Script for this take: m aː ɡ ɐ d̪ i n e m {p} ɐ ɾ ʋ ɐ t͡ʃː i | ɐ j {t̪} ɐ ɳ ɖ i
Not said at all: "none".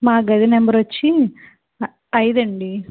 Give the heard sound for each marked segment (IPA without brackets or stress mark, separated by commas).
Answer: b, d̪